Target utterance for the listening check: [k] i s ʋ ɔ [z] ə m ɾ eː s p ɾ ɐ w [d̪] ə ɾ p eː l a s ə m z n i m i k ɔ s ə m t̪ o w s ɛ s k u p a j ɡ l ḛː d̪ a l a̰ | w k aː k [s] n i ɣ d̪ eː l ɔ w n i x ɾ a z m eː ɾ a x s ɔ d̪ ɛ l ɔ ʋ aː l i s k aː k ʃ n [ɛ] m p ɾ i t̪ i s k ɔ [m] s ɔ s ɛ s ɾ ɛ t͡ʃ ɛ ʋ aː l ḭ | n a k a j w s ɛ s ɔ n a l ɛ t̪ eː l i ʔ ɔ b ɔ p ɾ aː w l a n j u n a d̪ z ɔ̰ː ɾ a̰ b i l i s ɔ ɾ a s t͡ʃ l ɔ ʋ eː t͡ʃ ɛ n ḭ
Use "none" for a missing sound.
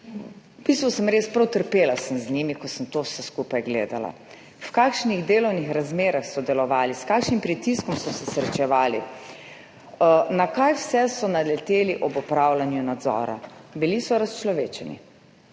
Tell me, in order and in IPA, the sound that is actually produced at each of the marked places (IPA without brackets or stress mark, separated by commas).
p, s, t̪, ʃ, i, m